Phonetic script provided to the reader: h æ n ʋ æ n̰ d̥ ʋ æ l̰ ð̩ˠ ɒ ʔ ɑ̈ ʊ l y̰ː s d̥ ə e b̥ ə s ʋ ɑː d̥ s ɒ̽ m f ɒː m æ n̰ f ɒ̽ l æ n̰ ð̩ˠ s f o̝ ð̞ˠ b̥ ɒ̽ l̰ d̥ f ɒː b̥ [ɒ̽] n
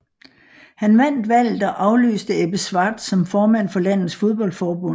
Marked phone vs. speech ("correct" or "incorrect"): incorrect